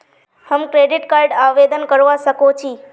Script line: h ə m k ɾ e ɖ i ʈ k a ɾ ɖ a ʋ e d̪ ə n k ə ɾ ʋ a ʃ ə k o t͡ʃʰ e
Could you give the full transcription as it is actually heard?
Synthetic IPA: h ə m k ɾ e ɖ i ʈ k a ɾ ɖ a ʋ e d̪ ə n k ə ɾ ʋ a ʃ ə k o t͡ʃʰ i